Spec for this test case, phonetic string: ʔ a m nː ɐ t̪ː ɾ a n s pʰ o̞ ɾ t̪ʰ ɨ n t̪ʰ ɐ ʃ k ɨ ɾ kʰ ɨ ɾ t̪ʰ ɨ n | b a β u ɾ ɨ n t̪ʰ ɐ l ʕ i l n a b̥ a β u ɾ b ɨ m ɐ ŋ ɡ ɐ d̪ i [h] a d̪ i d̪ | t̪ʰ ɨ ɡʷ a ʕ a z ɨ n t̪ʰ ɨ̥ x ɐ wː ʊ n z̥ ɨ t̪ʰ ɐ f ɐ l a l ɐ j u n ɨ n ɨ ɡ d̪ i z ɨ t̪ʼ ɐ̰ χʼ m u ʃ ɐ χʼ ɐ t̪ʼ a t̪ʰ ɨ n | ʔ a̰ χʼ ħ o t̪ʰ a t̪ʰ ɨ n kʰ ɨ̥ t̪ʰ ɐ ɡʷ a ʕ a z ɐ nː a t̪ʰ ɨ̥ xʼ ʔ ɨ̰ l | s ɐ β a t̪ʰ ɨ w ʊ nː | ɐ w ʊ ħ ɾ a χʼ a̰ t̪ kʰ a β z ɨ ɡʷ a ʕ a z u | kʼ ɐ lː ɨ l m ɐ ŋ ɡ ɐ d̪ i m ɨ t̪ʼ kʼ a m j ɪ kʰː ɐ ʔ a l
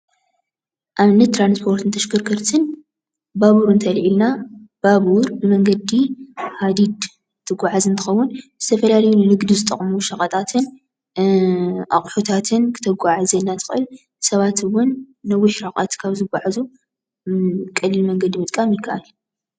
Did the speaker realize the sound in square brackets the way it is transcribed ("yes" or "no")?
yes